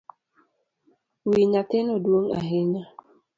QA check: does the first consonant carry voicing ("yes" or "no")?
yes